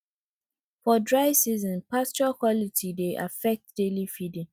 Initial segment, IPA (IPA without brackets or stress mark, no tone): f